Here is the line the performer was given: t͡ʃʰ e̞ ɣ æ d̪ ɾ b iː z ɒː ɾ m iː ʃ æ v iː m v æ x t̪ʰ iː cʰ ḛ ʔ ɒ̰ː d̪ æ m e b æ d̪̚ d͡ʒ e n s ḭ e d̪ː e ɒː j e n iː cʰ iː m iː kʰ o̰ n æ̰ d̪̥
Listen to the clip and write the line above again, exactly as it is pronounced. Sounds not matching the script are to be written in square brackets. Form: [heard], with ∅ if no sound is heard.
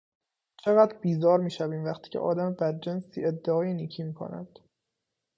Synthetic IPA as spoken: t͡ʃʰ e̞ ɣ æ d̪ ɾ b iː z ɒː ɾ m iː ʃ æ v iː m v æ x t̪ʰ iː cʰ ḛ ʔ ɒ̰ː d̪ æ m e b æ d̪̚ d͡ʒ e n s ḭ e d̪ː e ɒː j e n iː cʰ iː m iː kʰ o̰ n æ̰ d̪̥